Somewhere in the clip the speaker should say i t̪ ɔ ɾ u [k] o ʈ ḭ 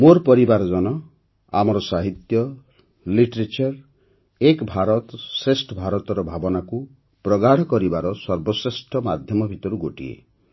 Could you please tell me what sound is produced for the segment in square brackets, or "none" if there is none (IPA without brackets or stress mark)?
ɡ